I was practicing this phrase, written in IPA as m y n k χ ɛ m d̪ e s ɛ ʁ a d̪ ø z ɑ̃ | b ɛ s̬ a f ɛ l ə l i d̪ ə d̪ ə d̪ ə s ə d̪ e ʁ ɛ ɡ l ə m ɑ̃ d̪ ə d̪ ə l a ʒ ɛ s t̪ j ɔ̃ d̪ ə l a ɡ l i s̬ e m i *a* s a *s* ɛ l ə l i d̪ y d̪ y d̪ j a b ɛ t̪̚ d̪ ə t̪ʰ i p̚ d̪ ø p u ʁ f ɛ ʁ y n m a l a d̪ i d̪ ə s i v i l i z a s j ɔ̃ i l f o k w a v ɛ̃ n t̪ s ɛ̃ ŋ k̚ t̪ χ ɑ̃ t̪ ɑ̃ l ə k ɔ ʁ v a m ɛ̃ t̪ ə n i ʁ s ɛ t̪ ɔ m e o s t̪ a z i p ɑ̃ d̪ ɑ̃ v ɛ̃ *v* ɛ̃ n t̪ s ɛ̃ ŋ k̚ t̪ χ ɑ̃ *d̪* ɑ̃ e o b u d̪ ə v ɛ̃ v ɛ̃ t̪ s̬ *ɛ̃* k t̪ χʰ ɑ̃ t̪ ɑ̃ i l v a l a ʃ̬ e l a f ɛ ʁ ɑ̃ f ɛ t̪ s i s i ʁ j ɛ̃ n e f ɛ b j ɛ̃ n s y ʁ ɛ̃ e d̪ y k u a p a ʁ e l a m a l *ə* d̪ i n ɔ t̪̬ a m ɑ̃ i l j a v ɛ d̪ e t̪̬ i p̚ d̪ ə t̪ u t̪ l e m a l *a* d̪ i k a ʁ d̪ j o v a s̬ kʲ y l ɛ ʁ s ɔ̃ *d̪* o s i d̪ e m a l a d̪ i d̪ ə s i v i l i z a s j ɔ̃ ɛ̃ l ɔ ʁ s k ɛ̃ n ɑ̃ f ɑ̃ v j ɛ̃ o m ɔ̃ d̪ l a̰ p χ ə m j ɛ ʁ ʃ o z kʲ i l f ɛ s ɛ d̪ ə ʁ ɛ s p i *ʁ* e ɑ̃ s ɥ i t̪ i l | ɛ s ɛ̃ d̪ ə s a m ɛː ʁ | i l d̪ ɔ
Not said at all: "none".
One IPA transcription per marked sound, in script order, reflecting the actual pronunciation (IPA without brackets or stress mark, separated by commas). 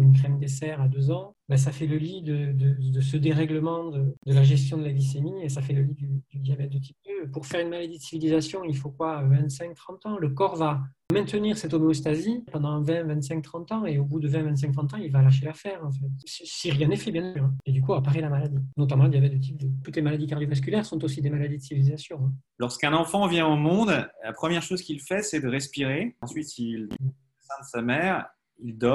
e, f, v, t̪, ɛ̃, a, a, t̪, ʁ